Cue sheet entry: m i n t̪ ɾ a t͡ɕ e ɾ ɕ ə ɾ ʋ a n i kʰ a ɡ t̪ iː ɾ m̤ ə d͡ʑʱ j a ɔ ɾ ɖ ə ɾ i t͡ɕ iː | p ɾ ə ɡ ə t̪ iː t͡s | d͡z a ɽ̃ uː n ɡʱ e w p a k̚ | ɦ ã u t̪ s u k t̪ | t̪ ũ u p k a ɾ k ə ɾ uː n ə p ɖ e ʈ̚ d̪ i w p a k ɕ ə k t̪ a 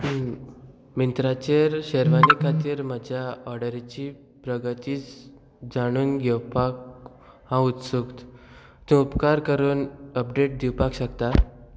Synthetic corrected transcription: m i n t̪ ɾ a t͡ɕ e ɾ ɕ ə ɾ ʋ a n i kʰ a t̪ iː ɾ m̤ ə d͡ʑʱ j a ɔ ɾ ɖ ə ɾ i t͡ɕ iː | p ɾ ə ɡ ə t̪ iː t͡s | d͡z a ɽ̃ uː n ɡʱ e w p a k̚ | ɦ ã u t̪ s u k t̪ | t̪ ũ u p k a ɾ k ə ɾ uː n ə p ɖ e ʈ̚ d̪ i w p a k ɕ ə k t̪ a